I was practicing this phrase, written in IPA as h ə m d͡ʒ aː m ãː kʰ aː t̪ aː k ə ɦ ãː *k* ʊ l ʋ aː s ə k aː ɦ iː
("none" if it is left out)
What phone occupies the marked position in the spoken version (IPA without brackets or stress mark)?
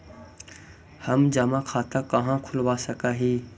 kʰ